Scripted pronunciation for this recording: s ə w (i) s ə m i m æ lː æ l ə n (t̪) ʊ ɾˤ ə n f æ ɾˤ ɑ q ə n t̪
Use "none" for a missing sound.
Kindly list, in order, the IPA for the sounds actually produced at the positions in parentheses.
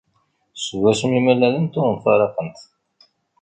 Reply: æ, t̪

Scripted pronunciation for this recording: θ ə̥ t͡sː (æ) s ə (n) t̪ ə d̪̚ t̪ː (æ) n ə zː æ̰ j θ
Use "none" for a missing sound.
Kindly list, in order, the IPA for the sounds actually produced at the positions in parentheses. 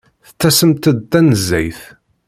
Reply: æ, m, æ

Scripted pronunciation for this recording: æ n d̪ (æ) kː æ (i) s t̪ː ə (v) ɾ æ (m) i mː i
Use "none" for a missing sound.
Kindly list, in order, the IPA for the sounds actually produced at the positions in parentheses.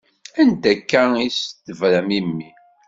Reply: æ, i, v, m

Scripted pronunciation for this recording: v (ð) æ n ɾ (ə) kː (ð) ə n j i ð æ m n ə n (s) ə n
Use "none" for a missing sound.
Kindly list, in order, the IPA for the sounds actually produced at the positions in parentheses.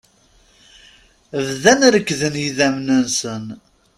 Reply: ð, ə, ð, s

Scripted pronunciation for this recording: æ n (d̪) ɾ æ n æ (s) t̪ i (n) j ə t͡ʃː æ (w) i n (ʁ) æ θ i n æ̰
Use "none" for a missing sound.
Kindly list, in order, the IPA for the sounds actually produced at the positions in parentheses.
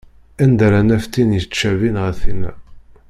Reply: d̪, f, n, v, ʁ

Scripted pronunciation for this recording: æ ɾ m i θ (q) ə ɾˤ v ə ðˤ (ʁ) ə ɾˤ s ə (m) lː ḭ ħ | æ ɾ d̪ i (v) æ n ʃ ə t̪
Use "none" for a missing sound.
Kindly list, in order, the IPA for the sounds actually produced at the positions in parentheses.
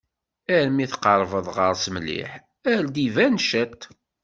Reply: q, ʁ, m, v

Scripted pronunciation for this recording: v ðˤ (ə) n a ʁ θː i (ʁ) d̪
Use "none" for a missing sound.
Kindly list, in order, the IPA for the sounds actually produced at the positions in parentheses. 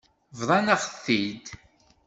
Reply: ɑ, none

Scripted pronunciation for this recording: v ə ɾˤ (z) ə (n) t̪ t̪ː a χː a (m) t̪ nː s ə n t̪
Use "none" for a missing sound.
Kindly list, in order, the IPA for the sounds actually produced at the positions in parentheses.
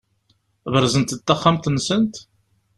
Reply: z, n, m

